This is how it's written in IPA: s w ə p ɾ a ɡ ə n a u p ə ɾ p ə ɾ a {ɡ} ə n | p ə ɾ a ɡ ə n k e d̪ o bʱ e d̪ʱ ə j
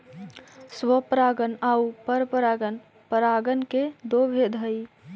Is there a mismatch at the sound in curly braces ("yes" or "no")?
no